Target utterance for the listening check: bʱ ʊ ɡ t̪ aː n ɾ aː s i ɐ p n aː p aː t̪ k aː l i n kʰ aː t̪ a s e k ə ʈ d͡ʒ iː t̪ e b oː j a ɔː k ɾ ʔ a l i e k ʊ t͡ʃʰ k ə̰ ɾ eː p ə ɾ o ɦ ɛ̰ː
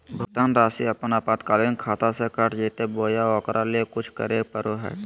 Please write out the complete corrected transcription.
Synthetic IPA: bʱ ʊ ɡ t̪ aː n ɾ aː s i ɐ p n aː p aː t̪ k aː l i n kʰ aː t̪ a s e k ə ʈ d͡ʒ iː t̪ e b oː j a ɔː k ɾ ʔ a l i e k ʊ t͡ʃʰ k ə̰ ɾ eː p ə ɾ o ɦ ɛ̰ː